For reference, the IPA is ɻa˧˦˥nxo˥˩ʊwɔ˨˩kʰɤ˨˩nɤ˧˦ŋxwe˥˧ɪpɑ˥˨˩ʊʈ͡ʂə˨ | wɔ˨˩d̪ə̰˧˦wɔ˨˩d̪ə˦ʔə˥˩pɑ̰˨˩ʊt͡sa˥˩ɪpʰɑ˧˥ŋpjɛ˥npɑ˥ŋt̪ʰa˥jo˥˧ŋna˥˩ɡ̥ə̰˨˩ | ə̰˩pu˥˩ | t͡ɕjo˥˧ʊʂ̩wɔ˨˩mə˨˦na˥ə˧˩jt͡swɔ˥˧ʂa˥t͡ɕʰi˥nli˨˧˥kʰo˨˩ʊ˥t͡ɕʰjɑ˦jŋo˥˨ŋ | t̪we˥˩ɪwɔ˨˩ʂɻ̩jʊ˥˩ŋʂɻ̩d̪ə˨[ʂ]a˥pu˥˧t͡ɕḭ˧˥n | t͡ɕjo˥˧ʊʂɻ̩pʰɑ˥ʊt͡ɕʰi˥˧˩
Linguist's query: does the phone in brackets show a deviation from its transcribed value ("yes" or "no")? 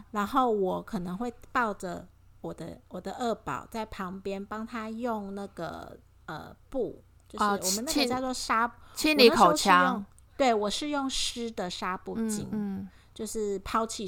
no